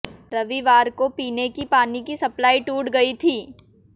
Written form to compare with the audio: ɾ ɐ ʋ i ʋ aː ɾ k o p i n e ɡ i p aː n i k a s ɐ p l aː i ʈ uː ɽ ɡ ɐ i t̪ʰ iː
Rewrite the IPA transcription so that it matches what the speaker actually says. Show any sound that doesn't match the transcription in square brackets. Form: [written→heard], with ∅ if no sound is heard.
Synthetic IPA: ɾ ɐ ʋ i ʋ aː ɾ k o p [i→iː] n e [ɡ→k] i p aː n i k [a→i] s ɐ p l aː i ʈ uː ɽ ɡ ɐ i t̪ʰ iː

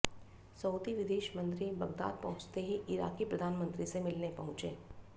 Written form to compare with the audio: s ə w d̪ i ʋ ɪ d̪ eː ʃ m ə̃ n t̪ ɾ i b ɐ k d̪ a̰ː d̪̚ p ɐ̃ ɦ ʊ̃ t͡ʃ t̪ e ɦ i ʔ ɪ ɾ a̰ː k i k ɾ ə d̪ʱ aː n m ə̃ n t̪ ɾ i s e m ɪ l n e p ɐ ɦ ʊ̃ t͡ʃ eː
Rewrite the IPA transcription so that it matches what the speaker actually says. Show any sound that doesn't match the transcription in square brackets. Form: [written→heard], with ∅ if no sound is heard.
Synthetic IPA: s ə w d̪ i ʋ ɪ d̪ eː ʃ m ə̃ n t̪ ɾ i b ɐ [k→ɡ] d̪ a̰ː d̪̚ p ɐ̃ ɦ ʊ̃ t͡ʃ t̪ e ɦ i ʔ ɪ ɾ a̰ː k i [k→p] ɾ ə d̪ʱ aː n m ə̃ n t̪ ɾ i s e m ɪ l n e p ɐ ɦ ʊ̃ t͡ʃ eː

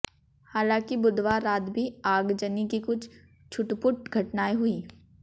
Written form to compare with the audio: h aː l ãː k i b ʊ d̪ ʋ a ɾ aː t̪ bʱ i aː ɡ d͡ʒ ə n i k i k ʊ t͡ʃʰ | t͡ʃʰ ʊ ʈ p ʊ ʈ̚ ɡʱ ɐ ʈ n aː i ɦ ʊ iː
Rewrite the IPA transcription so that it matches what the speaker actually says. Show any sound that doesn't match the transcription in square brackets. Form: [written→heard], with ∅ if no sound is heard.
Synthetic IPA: h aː l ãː k i b ʊ d̪ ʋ a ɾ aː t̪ bʱ i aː ɡ d͡ʒ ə n i k i k ʊ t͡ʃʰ | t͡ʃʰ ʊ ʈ p ʊ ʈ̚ ɡʱ ɐ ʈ n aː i ɦ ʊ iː

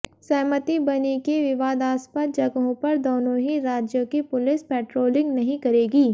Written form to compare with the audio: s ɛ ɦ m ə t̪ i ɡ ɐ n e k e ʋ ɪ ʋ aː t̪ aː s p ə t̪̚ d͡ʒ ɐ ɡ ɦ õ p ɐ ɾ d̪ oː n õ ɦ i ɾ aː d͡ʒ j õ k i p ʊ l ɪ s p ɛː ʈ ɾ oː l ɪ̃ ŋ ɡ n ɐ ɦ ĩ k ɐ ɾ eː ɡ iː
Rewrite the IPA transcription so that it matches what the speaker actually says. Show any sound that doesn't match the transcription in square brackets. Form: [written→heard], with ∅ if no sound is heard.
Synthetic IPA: s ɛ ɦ m ə t̪ i [ɡ→b] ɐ n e k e ʋ ɪ ʋ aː [t̪→d̪] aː s p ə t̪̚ d͡ʒ ɐ ɡ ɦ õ p ɐ ɾ d̪ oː n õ ɦ i ɾ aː d͡ʒ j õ k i p ʊ l ɪ s p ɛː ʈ ɾ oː l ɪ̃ ŋ ɡ n ɐ ɦ ĩ k ɐ ɾ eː ɡ iː

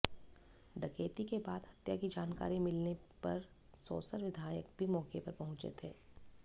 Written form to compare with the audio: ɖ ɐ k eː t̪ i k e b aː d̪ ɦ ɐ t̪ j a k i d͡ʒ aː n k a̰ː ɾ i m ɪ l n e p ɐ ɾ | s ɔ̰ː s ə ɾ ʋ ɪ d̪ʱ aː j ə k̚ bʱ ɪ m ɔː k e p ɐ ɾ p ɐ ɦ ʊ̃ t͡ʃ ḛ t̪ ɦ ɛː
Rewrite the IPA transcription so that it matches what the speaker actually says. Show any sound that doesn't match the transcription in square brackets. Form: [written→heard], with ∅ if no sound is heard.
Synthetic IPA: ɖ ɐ k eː t̪ i k e b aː d̪ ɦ ɐ t̪ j a k i d͡ʒ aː n k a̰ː ɾ i m ɪ l n e p ɐ ɾ | s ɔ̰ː s ə ɾ ʋ ɪ d̪ʱ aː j ə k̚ bʱ [ɪ→i] m ɔː k e p ɐ ɾ p ɐ ɦ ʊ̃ t͡ʃ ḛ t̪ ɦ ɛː

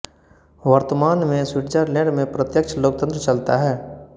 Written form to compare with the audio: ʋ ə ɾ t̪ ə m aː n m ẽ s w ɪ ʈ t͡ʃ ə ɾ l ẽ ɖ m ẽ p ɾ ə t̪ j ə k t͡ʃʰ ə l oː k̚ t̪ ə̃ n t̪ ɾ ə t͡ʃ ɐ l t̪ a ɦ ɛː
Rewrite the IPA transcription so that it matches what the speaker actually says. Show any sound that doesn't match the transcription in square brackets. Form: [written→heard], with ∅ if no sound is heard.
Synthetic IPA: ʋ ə ɾ t̪ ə m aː n m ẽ s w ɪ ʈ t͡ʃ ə ɾ l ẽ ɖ m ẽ p ɾ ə t̪ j ə k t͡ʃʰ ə l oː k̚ t̪ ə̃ n t̪ ɾ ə t͡ʃ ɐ l t̪ a ɦ ɛː

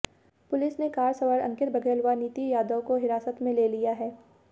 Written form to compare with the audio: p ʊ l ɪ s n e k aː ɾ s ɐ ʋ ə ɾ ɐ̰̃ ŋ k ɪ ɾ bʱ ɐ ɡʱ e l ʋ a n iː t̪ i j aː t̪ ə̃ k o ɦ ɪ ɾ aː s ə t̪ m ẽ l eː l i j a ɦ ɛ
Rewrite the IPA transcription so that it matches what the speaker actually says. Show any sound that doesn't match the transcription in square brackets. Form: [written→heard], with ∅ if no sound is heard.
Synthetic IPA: p ʊ l ɪ s n e k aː ɾ s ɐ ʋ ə ɾ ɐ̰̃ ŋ k ɪ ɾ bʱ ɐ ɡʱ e l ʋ a n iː t̪ i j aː [t̪→d̪] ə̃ k o ɦ ɪ ɾ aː s ə t̪ m ẽ l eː l i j a ɦ [ɛ→ɛː]

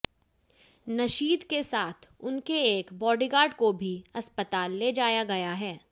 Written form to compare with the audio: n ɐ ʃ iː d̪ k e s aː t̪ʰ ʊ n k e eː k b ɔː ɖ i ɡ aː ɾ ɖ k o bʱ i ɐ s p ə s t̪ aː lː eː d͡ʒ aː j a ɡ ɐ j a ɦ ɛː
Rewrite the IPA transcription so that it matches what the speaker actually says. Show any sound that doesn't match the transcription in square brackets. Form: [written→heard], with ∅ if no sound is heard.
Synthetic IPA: n ɐ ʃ iː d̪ k e s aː t̪ʰ ʊ n k e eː k b ɔː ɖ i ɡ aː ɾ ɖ k o bʱ i ɐ s p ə [s→∅] t̪ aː lː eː d͡ʒ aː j a ɡ ɐ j a ɦ ɛː

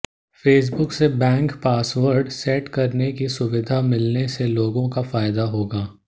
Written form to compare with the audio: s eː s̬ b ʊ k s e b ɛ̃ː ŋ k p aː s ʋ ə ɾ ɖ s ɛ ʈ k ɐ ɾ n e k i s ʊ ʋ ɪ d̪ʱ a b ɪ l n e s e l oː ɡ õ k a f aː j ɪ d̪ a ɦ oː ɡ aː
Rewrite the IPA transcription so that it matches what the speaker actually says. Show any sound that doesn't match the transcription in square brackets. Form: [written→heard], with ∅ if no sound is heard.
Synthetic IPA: [s→f] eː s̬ b ʊ k s e b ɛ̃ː ŋ k p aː s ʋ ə ɾ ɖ s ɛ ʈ k ɐ ɾ n e k i s ʊ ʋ ɪ d̪ʱ a [b→m] ɪ l n e s e l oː ɡ õ k a f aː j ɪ d̪ a ɦ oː ɡ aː

